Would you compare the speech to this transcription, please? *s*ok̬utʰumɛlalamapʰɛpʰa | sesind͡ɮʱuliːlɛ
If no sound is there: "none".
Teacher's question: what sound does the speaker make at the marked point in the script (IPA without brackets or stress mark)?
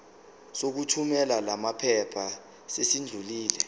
s